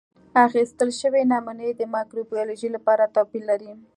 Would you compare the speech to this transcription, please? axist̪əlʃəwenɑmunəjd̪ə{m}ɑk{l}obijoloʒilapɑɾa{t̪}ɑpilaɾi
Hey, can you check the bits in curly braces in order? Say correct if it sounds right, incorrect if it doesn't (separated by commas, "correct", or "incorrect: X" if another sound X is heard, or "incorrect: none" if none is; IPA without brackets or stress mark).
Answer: correct, incorrect: ɾ, correct